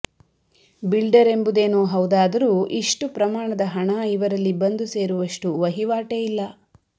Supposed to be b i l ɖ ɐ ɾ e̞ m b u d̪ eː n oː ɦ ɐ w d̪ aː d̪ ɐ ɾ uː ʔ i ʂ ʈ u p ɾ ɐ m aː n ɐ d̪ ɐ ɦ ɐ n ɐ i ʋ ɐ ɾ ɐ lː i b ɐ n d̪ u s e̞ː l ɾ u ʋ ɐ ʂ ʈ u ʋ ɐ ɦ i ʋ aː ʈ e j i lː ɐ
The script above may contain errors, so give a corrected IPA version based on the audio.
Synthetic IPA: b i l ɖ ɐ ɾ e̞ m b u d̪ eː n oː ɦ ɐ w d̪ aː d̪ ɐ ɾ uː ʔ i ʂ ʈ u p ɾ ɐ m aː ɳ ɐ d̪ ɐ ɦ ɐ ɳ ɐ i ʋ ɐ ɾ ɐ lː i b ɐ n d̪ u s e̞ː ɾ u ʋ ɐ ʂ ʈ u ʋ ɐ ɦ i ʋ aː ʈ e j i lː ɐ